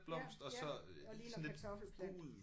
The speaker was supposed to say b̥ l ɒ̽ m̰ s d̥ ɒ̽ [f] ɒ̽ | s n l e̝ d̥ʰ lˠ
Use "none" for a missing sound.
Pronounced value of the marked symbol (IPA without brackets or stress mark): s